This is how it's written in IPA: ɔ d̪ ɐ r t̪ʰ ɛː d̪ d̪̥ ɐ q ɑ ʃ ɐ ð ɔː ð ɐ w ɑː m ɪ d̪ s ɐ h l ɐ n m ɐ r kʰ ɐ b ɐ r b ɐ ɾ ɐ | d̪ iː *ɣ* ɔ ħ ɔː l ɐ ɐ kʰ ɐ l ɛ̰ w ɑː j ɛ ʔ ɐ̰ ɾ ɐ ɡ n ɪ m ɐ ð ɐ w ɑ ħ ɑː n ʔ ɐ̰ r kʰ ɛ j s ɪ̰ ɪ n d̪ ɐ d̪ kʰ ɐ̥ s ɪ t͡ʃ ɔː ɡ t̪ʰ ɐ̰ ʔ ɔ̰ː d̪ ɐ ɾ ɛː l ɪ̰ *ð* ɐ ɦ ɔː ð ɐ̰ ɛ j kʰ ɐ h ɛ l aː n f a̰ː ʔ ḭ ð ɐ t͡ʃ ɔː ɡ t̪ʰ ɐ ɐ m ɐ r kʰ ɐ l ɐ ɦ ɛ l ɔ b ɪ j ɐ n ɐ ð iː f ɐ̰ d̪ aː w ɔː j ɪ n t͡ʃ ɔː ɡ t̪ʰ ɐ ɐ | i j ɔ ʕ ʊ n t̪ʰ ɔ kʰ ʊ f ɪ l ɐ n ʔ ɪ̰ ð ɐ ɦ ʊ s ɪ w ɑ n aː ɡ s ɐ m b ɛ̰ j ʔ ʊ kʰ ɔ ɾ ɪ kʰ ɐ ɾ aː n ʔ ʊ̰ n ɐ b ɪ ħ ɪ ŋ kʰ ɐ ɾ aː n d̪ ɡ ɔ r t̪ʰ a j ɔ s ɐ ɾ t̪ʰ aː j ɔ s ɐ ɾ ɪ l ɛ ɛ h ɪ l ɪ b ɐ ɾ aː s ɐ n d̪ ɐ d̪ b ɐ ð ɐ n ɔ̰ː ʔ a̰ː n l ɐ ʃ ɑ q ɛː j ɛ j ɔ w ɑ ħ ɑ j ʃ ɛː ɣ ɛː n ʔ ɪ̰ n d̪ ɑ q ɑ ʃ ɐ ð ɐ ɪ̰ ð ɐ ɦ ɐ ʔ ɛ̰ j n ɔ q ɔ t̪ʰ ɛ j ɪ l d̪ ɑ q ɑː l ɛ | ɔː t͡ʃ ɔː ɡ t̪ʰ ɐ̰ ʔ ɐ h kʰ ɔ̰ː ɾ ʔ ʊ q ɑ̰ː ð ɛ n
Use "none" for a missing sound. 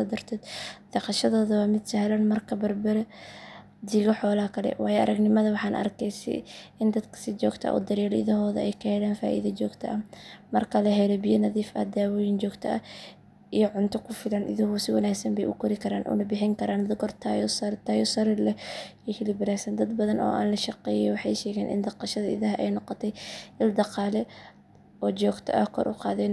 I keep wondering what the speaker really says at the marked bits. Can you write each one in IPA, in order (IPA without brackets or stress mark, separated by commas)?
ɣ, ð